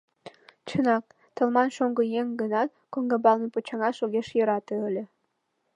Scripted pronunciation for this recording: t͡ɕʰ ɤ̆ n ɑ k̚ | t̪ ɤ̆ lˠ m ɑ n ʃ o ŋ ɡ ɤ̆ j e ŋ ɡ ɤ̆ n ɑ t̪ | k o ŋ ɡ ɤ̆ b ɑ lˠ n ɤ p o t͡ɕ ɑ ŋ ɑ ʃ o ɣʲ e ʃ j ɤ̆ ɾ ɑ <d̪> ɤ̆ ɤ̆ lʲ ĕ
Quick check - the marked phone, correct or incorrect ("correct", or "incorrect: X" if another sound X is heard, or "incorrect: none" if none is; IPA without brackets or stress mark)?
incorrect: t̪